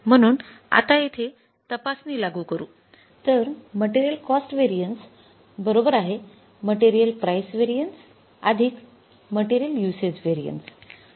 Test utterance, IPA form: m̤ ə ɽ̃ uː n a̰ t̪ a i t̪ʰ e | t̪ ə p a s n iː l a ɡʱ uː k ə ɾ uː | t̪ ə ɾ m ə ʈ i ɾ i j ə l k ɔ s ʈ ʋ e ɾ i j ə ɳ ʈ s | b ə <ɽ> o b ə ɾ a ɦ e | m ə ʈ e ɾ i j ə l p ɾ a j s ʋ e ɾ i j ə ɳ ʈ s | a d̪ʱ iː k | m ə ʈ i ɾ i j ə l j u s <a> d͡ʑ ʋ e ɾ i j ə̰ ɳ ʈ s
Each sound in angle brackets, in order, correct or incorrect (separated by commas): incorrect, incorrect